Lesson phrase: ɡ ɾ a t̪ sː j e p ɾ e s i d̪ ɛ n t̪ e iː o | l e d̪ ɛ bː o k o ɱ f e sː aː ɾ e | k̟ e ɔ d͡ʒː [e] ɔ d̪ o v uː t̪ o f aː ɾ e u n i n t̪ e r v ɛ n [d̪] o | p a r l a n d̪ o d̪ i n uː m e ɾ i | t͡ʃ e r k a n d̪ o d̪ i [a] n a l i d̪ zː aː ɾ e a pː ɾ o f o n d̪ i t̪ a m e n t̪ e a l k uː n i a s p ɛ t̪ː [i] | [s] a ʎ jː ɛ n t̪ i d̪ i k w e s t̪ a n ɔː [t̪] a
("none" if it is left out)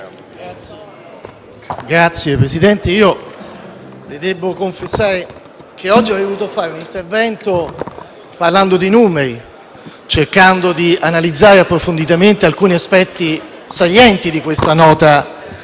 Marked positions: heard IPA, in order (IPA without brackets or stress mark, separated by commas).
i, t̪, a, i, s, t̪